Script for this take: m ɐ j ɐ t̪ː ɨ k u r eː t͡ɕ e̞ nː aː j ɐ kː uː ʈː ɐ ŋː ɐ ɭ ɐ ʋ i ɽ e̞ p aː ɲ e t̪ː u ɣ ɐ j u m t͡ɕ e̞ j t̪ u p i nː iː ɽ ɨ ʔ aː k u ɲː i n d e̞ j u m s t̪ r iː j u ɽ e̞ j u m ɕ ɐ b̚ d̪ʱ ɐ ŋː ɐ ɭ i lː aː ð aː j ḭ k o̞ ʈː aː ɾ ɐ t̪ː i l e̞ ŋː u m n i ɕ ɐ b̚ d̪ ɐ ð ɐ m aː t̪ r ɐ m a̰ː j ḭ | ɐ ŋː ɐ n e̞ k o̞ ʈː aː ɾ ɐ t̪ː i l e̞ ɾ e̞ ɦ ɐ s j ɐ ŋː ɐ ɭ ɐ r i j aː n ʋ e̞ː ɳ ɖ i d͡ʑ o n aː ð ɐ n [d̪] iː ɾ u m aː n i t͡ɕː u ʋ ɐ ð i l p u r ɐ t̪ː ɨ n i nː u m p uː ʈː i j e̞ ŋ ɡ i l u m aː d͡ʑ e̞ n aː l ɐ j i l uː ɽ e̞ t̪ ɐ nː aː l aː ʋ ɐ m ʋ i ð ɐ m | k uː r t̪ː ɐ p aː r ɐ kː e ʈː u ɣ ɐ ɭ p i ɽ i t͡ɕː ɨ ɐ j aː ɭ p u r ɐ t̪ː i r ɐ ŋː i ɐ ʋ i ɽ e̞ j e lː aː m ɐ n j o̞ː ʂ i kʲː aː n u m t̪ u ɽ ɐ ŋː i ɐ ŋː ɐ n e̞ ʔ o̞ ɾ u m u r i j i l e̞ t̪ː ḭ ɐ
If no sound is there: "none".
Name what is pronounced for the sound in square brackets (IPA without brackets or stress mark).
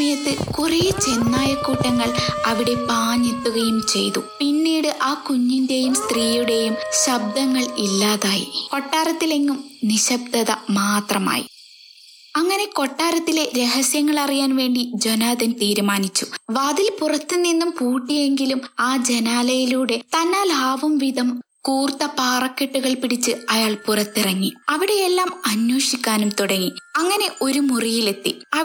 t̪